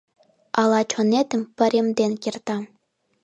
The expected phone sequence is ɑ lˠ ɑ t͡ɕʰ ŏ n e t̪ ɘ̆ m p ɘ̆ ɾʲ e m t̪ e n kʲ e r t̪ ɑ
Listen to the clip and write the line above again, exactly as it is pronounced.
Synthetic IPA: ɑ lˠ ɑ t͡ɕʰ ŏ n e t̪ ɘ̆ m p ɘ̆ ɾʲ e m d̪ e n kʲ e r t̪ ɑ